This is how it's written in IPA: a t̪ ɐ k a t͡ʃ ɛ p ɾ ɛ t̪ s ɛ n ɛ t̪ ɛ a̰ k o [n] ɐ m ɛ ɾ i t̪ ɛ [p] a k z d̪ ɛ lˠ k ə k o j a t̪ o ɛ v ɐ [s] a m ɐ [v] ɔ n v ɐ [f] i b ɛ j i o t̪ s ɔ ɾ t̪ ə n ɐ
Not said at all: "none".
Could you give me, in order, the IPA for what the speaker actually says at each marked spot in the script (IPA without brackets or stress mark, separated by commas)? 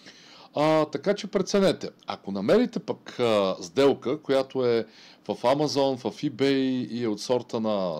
n, p, f, z, f